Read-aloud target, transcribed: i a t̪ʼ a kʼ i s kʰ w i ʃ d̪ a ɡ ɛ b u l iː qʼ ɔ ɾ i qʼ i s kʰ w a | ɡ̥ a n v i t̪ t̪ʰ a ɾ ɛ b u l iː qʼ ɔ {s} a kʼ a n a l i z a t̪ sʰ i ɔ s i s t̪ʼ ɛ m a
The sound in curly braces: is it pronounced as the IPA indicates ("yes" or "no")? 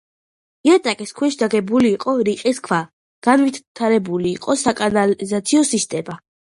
yes